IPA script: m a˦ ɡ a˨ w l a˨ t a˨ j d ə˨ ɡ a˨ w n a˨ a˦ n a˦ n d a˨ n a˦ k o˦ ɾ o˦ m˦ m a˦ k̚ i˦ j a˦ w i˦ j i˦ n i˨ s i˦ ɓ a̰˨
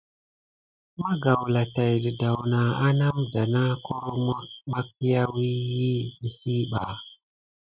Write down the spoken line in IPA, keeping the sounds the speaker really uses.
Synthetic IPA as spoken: m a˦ ɡ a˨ w l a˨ t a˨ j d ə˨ d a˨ w n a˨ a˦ n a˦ m d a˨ n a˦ k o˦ ɾ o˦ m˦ m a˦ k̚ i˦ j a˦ w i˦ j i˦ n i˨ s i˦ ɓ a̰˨